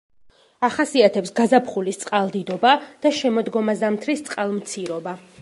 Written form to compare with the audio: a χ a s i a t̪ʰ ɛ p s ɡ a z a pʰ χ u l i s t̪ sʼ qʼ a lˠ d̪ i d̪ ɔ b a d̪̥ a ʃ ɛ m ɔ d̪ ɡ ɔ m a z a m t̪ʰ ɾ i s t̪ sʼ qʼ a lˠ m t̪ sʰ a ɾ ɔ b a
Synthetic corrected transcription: a χ a s i a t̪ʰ ɛ p s ɡ a z a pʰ χ u l i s t̪ sʼ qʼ a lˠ d̪ i d̪ ɔ b a d̪̥ a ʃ ɛ m ɔ d̪ ɡ ɔ m a z a m t̪ʰ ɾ i s t̪ sʼ qʼ a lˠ m t̪ sʰ i ɾ ɔ b a